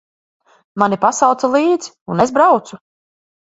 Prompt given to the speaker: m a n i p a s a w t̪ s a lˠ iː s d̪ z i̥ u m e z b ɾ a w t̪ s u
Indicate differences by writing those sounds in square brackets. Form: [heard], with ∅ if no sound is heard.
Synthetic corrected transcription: m a n i p a s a w t̪ s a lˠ iː [∅] d̪ z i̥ u [n] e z b ɾ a w t̪ s u